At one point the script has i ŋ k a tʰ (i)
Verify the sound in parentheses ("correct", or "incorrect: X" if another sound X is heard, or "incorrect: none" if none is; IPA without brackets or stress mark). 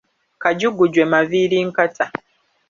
incorrect: a